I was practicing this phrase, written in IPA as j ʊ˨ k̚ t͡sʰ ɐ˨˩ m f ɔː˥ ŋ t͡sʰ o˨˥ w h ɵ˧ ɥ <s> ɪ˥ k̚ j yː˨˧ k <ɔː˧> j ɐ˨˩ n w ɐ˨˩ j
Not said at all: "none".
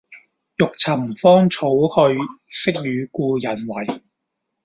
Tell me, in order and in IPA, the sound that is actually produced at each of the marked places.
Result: s, uː˧

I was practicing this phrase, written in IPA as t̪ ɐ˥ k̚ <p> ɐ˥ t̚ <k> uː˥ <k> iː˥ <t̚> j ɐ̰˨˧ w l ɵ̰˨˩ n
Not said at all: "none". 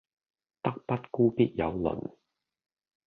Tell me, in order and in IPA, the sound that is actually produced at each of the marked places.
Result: p, k, p, t̚

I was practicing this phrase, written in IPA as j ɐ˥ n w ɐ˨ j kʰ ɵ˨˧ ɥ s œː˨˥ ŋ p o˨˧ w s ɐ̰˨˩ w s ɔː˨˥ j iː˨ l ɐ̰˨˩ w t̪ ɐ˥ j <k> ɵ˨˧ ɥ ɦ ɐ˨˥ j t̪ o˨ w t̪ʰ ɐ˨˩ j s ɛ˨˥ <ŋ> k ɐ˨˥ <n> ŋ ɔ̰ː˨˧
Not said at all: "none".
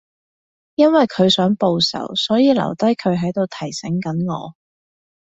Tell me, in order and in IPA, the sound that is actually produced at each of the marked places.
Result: kʰ, ŋ, n

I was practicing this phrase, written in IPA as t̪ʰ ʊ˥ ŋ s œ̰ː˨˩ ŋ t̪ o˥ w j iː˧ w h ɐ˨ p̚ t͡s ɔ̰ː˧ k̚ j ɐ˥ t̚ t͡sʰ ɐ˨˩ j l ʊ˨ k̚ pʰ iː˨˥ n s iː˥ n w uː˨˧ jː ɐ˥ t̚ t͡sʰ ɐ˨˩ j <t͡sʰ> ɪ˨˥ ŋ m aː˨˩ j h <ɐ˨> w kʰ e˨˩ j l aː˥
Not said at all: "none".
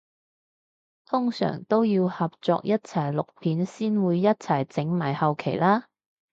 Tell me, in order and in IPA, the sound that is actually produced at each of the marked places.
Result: t͡s, ɐ˨

